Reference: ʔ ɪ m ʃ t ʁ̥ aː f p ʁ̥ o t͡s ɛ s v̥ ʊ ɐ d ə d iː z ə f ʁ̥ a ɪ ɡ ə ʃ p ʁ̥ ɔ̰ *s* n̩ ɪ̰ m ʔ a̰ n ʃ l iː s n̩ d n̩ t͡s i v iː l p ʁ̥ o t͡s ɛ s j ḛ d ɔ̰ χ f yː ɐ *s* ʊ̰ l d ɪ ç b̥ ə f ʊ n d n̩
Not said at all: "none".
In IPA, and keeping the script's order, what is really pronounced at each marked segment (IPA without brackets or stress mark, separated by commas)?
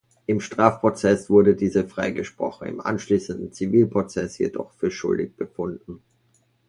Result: χ, ʃ